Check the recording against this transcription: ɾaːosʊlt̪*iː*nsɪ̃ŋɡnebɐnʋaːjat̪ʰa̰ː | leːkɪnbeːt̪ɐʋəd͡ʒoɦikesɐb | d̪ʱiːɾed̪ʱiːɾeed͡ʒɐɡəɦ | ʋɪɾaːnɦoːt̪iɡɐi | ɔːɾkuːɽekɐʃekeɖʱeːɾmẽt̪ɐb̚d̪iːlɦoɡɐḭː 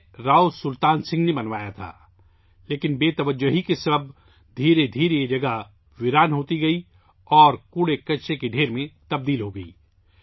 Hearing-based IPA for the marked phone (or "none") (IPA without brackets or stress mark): aː